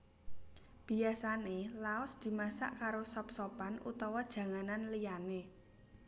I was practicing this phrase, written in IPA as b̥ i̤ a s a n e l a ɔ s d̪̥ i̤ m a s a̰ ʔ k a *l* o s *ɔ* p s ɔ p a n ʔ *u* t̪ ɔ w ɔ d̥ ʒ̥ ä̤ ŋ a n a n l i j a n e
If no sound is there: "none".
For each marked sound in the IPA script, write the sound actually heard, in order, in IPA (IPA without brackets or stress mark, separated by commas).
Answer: ɾ, ɔ, u